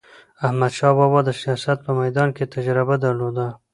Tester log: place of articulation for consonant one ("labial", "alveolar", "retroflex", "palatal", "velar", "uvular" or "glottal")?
glottal